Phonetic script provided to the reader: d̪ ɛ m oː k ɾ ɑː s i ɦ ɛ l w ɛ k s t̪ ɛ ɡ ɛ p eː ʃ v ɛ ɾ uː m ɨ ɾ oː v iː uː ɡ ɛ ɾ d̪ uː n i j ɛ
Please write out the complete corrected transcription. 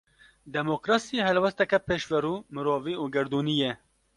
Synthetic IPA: d̪ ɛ m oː k ɾ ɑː s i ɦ ɛ l w ɛ s t̪ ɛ k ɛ p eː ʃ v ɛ ɾ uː m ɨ ɾ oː v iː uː ɡ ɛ ɾ d̪ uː n i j ɛ